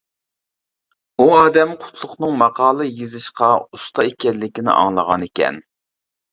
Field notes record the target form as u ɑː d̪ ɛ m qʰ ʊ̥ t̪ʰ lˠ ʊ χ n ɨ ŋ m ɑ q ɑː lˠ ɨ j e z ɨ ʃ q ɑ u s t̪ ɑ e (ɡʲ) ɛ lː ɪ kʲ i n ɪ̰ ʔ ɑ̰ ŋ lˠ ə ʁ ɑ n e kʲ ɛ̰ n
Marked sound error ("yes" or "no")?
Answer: yes